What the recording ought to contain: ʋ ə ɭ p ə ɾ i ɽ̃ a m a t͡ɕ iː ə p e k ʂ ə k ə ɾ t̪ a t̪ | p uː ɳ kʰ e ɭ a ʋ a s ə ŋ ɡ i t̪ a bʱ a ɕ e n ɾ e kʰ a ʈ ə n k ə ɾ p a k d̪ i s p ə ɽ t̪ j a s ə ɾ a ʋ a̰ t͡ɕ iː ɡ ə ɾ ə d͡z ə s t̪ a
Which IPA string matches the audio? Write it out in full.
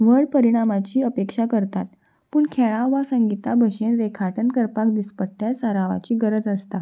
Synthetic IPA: ʋ ə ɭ p ə ɾ i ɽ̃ a m a t͡ɕ iː ə p e k ʂ a k ə ɾ t̪ a t̪ | p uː ɳ kʰ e ɭ a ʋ a s ə ŋ ɡ i t̪ a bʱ ə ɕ e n ɾ e kʰ a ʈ ə n k ə ɾ p a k d̪ i s p ə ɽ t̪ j a s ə ɾ a ʋ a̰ t͡ɕ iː ɡ ə ɾ ə d͡z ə s t̪ a